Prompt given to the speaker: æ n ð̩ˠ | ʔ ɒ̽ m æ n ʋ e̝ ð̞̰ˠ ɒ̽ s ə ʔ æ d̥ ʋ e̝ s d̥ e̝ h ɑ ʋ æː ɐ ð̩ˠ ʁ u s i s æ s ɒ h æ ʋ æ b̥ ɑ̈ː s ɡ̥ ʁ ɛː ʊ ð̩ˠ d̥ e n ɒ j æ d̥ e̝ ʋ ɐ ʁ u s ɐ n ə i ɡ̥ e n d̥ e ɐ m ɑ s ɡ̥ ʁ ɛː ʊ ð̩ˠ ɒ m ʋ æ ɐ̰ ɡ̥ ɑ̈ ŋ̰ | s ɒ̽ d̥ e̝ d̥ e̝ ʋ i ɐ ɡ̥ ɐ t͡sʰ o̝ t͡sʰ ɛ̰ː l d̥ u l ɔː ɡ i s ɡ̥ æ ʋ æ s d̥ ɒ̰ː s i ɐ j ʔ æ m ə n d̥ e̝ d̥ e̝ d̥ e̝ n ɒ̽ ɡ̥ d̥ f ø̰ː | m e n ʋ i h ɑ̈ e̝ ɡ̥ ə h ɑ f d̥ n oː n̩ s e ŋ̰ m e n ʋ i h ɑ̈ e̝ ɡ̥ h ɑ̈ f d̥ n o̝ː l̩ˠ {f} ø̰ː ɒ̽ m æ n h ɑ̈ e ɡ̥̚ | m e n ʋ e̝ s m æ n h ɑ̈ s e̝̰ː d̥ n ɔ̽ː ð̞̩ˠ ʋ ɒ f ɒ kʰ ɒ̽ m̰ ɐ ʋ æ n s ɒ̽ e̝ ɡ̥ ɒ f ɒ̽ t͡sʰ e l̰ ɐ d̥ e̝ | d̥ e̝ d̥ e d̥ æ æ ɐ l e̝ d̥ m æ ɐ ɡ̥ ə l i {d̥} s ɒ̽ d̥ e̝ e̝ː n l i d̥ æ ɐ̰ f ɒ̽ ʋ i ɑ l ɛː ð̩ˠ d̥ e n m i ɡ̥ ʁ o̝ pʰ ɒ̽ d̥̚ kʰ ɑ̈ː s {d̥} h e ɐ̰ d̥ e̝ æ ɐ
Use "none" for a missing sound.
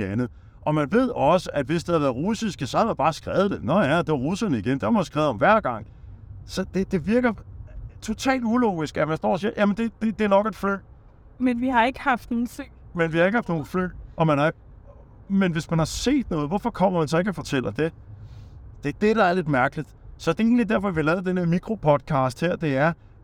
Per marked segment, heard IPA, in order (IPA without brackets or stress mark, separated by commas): f, d̥, d̥